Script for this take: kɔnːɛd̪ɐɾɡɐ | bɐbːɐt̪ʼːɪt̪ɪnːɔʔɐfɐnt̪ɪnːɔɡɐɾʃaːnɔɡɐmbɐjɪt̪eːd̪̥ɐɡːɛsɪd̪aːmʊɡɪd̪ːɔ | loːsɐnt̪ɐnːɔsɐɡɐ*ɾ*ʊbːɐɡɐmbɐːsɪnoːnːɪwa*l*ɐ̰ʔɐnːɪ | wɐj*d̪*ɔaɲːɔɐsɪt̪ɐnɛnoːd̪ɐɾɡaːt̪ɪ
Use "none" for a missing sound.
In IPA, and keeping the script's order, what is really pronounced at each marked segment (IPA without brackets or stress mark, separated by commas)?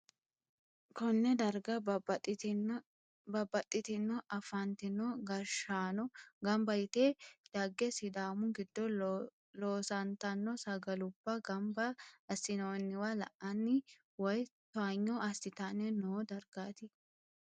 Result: l, l, t̪